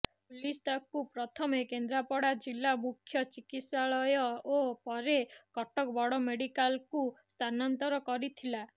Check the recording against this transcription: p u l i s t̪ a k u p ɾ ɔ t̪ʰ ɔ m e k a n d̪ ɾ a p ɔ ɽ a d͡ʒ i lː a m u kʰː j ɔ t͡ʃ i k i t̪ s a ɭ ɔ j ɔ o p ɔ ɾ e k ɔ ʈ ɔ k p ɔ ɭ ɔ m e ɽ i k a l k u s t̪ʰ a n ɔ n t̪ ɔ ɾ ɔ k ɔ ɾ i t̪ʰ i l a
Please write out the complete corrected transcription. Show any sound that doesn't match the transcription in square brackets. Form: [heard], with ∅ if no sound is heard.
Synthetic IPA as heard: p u l i s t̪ a k u p ɾ ɔ t̪ʰ ɔ m e k [e] n d̪ ɾ a p ɔ ɽ a d͡ʒ i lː a m u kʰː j ɔ t͡ʃ i k i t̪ s a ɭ ɔ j ɔ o p ɔ ɾ e k ɔ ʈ ɔ k [b] ɔ [ɽ] ɔ m e ɽ i k a l k u s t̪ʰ a n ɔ n t̪ ɔ ɾ ɔ k ɔ ɾ i t̪ʰ i l a